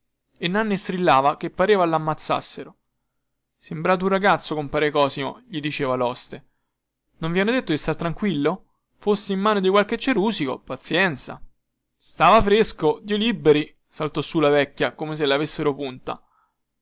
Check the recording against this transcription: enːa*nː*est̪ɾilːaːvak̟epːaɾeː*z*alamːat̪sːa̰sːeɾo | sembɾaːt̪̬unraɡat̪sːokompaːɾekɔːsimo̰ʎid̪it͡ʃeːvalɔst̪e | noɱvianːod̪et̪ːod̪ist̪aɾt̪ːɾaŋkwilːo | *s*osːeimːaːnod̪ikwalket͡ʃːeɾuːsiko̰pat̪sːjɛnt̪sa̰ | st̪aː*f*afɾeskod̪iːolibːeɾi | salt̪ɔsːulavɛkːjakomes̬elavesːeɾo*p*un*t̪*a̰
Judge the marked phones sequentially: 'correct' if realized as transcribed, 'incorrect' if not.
correct, incorrect, incorrect, incorrect, correct, correct

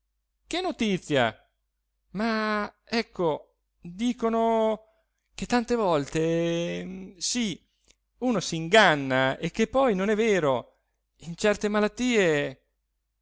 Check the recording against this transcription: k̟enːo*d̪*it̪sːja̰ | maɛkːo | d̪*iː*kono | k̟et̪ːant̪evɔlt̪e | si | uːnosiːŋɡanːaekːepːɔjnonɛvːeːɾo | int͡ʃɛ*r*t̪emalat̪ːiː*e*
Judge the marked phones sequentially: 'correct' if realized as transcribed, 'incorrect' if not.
incorrect, correct, correct, correct

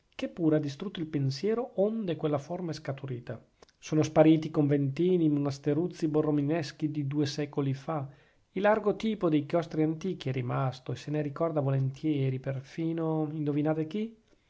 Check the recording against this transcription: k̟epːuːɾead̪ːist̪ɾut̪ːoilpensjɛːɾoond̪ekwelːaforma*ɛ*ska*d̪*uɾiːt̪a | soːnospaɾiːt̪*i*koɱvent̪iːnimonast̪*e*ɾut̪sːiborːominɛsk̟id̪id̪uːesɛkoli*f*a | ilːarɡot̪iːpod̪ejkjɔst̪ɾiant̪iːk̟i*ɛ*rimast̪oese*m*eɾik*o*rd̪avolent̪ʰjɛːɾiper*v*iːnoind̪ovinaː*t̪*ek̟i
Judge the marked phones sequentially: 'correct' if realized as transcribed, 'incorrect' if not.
correct, incorrect, correct, correct, correct, correct, incorrect, incorrect, incorrect, correct

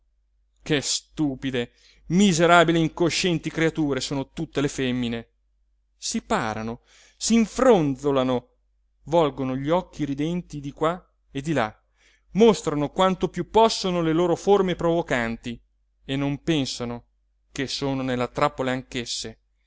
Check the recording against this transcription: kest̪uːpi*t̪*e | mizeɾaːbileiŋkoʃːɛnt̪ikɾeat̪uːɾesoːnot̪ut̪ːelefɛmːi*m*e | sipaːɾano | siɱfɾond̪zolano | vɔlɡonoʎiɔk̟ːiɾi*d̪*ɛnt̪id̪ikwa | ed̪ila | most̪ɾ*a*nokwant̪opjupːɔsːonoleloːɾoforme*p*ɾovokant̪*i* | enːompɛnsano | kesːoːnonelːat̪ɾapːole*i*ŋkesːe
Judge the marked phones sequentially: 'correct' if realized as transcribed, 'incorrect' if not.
incorrect, incorrect, correct, correct, correct, correct, incorrect

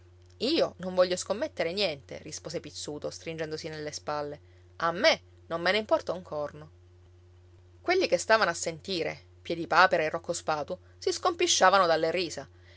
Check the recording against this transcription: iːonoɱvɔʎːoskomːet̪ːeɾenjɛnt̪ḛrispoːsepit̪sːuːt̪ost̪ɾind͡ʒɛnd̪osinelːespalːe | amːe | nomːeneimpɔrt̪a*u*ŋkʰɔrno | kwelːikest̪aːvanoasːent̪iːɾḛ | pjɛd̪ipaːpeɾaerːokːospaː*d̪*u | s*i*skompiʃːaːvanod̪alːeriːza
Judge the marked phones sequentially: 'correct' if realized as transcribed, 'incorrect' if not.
correct, incorrect, correct

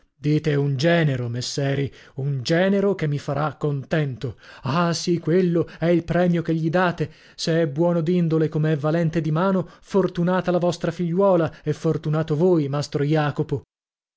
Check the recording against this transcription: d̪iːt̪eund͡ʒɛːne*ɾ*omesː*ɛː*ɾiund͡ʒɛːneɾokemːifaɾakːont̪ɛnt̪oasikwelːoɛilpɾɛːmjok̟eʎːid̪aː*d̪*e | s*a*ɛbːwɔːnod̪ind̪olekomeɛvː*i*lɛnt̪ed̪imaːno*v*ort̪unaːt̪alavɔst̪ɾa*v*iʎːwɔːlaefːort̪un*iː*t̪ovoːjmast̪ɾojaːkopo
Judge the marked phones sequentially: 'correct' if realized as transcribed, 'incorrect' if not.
correct, correct, incorrect, incorrect, incorrect, incorrect, incorrect, incorrect

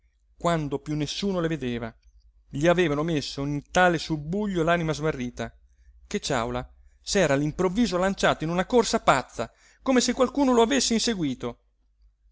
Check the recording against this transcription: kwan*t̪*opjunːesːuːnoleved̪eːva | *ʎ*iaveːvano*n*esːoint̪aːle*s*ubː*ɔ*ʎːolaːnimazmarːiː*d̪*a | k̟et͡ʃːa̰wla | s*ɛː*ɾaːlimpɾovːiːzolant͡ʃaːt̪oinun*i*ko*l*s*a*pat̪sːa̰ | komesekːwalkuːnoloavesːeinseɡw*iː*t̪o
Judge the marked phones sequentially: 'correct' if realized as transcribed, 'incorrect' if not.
incorrect, correct, incorrect, correct, incorrect, incorrect, correct, incorrect, incorrect, correct, correct

